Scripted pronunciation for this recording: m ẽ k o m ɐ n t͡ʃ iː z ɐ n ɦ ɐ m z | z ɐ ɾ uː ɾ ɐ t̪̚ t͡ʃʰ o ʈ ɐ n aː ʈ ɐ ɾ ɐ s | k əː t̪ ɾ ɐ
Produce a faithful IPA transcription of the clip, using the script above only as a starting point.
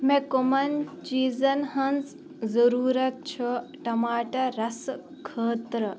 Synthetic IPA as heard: m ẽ k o m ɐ n t͡ʃ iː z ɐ n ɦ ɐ n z | z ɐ ɾ uː ɾ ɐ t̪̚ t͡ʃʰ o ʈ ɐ m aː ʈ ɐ ɾ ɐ s | kʰ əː t̪ ɾ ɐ